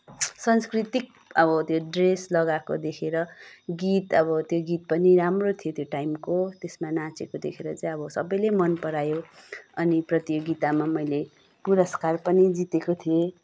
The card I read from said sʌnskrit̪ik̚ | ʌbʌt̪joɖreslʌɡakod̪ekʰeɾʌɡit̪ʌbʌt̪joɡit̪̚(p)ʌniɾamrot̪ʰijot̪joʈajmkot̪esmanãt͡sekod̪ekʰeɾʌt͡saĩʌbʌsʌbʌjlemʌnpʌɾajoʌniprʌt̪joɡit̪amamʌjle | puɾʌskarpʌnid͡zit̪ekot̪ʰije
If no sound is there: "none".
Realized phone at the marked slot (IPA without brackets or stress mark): p